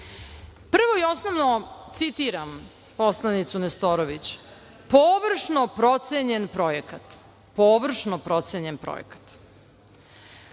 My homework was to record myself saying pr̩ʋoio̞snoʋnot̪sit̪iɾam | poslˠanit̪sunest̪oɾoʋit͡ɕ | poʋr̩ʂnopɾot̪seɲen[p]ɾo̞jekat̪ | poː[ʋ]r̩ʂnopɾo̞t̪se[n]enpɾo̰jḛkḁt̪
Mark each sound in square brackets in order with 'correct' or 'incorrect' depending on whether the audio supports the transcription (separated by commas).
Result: correct, correct, incorrect